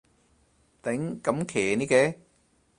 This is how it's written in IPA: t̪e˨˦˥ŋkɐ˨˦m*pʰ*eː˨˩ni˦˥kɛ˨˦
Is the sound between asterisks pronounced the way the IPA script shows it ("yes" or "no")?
no